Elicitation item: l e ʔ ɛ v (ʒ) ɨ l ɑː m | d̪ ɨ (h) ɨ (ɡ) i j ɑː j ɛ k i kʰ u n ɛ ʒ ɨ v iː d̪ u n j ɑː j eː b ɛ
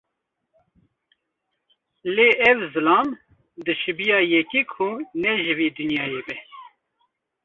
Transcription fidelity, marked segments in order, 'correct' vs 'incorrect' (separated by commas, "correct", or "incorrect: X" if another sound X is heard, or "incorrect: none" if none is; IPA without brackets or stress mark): incorrect: z, incorrect: ʃ, incorrect: b